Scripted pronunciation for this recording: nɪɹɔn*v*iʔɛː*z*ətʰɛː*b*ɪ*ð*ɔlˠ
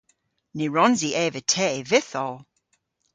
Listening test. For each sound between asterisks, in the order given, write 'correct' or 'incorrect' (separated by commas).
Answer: incorrect, incorrect, incorrect, incorrect